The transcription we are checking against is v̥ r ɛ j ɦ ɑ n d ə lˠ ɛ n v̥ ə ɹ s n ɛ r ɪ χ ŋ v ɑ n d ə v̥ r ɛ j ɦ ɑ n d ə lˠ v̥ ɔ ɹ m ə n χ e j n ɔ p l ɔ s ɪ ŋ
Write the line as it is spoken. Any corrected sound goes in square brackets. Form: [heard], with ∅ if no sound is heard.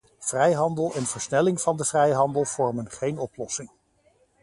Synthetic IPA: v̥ r ɛ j ɦ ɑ n d ə lˠ ɛ n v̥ ə ɹ s n ɛ [l] ɪ [∅] ŋ v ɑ n d ə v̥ r ɛ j ɦ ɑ n d ə lˠ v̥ ɔ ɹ m ə n χ e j n ɔ p l ɔ s ɪ ŋ